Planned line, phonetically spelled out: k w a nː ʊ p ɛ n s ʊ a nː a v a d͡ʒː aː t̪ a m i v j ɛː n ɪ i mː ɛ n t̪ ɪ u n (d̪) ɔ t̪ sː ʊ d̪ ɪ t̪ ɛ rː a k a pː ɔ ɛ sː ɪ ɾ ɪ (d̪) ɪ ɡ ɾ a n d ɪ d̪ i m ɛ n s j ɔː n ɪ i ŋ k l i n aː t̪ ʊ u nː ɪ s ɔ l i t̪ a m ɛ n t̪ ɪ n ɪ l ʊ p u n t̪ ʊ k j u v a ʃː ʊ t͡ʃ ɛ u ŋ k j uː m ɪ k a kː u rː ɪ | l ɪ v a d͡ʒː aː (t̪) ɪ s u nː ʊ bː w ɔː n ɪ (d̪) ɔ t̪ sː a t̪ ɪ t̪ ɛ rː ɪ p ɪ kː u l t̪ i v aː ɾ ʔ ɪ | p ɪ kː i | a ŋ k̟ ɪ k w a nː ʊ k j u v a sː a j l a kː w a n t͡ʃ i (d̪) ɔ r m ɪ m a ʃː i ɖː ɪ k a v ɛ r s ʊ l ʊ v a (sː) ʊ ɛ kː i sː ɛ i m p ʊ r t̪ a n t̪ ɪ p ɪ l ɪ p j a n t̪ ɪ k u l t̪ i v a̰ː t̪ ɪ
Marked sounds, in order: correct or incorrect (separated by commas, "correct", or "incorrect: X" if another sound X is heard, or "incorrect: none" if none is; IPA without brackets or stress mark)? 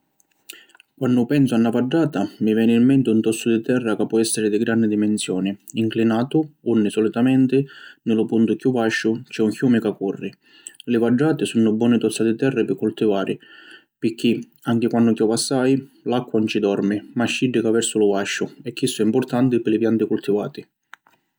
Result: incorrect: t̪, correct, correct, incorrect: t̪, correct, incorrect: ʃː